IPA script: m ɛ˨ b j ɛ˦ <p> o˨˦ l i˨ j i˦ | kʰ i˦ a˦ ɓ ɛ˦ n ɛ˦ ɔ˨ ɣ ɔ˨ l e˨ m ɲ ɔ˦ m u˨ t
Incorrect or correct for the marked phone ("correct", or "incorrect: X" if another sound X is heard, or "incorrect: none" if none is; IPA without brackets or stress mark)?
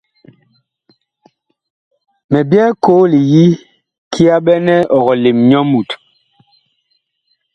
incorrect: k